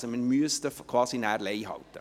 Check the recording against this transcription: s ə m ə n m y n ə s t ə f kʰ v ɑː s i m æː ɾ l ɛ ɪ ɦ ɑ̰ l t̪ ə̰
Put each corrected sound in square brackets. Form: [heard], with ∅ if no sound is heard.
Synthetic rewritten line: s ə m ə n m y [∅] ə s t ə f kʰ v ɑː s i [n] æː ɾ l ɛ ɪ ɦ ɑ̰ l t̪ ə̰